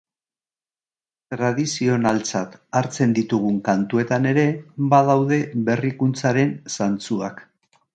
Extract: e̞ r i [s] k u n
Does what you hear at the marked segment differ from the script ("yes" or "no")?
yes